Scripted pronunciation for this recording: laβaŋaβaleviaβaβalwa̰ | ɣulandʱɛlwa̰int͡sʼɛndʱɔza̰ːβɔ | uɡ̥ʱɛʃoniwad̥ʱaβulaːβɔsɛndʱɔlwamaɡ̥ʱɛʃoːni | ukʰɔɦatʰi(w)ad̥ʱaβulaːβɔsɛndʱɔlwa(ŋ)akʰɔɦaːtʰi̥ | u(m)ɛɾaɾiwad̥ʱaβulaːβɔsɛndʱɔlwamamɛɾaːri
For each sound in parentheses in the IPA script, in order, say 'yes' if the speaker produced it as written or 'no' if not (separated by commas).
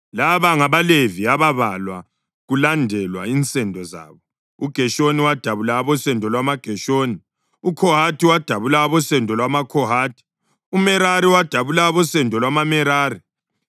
yes, no, yes